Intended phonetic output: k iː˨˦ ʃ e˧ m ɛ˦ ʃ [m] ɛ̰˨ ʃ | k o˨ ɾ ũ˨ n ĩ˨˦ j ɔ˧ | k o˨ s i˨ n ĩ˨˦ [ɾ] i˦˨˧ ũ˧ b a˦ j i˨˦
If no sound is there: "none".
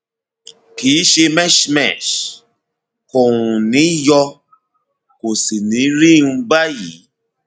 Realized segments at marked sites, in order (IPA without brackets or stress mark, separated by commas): m, ɾ